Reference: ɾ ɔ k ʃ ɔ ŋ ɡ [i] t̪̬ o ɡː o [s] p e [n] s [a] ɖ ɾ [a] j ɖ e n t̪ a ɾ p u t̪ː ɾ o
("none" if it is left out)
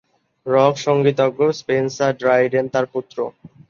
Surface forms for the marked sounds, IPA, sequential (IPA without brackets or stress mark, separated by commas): i, s, n, a, a